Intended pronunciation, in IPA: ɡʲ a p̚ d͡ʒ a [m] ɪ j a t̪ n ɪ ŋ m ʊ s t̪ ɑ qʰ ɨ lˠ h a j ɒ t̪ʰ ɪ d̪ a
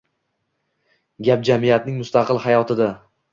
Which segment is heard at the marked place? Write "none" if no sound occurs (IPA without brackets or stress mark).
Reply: m